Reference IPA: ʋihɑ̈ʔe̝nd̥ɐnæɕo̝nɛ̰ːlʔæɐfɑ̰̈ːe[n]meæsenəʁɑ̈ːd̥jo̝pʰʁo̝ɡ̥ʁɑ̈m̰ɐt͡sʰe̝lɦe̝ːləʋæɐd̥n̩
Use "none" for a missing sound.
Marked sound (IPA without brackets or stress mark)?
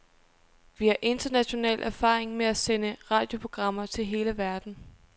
ŋ